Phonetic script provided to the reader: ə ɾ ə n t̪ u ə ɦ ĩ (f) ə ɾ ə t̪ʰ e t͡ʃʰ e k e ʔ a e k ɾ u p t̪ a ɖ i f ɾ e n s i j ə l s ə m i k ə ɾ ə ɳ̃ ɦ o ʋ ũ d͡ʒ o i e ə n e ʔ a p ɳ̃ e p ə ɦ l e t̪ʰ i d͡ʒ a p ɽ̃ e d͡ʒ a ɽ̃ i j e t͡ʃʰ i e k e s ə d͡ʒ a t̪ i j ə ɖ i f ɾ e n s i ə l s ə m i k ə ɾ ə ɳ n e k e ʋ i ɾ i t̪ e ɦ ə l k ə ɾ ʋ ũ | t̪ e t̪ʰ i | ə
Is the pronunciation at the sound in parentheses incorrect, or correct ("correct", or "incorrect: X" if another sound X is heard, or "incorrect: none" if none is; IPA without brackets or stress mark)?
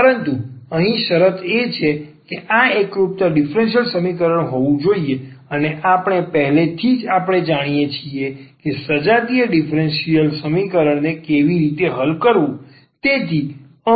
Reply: incorrect: ʃ